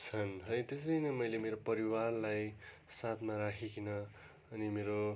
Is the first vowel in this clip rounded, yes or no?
no